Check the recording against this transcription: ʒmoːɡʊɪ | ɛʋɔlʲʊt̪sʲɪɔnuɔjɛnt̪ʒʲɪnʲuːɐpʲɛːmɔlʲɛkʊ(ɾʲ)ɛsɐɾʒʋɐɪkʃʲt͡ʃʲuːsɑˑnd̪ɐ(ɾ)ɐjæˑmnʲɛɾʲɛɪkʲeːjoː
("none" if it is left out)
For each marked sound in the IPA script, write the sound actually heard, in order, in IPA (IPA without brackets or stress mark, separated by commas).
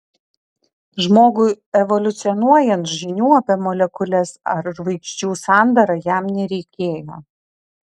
lʲ, ɾ